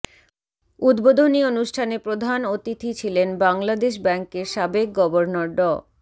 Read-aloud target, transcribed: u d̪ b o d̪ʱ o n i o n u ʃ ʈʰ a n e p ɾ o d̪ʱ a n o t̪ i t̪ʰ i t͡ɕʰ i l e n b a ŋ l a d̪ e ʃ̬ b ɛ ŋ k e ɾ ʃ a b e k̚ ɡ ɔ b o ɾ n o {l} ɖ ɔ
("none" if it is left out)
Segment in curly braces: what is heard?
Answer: ɾ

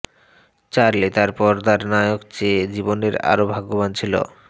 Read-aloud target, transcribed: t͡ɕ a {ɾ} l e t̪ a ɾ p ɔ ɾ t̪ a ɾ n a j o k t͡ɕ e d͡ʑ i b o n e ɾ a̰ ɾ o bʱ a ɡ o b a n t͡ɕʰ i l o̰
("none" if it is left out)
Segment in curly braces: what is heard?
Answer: ɾ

